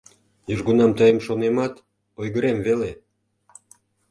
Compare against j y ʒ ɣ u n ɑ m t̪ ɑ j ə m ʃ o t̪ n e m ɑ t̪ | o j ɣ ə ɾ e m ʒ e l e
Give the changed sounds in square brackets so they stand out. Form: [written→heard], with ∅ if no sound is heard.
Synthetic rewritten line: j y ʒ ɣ u n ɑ m t̪ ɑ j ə m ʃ o [t̪→∅] n e m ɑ t̪ | o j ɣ ə ɾ e m [ʒ→v] e l e